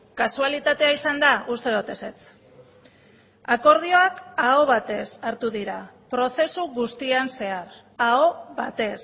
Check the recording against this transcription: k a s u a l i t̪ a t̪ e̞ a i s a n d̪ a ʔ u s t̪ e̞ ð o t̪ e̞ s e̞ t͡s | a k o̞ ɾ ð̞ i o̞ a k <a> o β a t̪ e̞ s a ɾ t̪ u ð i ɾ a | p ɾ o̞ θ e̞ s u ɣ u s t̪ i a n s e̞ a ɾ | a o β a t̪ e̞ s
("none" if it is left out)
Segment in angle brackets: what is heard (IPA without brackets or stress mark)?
a